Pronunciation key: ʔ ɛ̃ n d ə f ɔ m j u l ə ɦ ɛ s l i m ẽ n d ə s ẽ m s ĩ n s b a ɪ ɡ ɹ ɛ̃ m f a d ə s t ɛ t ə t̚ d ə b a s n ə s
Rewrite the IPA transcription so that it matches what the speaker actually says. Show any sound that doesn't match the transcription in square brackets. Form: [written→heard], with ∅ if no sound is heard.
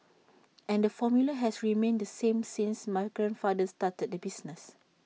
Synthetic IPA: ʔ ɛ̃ n d ə f ɔ m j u l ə ɦ ɛ s [l→ɹ] i m ẽ n d ə s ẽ m s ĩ n s [b→m] a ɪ ɡ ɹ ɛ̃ [m→n] f a d ə s t [ɛ→a] t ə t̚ d ə b [a→i] s n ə s